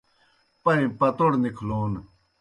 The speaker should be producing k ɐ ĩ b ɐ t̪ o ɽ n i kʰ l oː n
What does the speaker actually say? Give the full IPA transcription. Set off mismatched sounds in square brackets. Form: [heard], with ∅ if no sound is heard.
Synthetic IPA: [p] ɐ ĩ [p] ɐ t̪ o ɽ n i kʰ l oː n